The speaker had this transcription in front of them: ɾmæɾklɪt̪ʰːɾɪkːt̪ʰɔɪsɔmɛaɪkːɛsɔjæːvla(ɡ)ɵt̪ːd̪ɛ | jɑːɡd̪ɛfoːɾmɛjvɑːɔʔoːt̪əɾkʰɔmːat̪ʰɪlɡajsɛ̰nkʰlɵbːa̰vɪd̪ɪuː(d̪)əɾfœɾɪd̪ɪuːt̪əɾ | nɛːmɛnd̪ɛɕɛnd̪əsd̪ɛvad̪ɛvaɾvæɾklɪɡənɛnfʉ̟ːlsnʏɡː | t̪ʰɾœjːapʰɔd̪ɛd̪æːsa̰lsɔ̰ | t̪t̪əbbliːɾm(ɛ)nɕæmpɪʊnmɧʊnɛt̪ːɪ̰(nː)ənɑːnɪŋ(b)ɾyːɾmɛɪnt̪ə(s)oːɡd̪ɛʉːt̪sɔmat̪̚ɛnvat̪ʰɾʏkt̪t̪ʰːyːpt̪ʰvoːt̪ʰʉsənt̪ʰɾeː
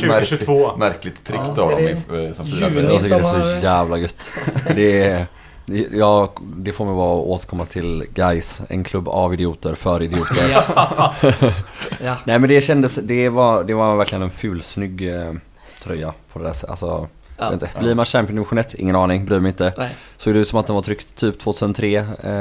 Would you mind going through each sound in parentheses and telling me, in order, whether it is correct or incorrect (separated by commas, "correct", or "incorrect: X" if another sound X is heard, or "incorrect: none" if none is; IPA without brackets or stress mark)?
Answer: correct, incorrect: t̪, incorrect: a, incorrect: ŋː, correct, correct